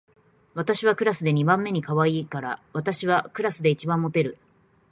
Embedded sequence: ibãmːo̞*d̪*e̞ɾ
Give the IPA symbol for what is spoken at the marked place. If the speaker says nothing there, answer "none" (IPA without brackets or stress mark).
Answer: t̪